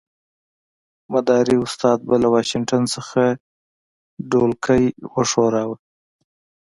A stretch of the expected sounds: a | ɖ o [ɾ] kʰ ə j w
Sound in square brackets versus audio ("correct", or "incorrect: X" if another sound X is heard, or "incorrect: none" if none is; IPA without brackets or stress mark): incorrect: l